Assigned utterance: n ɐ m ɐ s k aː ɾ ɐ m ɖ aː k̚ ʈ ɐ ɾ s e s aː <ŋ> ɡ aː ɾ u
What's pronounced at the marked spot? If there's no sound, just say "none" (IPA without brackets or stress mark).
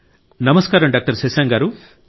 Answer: ŋ